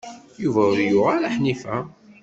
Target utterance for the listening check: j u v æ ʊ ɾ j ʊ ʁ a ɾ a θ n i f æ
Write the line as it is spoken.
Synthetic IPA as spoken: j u v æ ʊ ɾ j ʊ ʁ a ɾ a ħ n i f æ